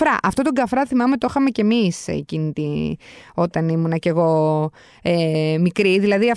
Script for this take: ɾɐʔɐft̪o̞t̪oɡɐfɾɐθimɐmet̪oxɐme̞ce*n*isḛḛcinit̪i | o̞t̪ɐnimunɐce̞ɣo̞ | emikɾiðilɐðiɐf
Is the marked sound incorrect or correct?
incorrect